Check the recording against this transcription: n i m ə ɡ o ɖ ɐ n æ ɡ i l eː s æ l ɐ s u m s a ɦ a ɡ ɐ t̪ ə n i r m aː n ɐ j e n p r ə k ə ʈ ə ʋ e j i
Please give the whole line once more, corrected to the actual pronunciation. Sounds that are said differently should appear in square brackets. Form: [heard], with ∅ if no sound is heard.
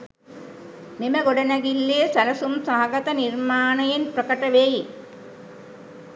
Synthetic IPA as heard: [m] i m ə ɡ o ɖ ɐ n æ ɡ i [lː] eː s æ l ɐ s u m s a ɦ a ɡ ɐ t̪ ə n i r m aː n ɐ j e n p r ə k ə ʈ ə ʋ e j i